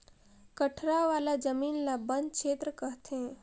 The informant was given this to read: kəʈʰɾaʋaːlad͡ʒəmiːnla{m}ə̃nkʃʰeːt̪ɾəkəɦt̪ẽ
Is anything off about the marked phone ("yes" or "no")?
yes